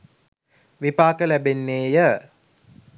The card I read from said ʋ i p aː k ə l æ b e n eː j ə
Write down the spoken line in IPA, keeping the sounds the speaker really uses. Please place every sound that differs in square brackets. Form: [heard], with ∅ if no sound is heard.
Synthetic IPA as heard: ʋ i p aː k ə l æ b e [nː] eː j ə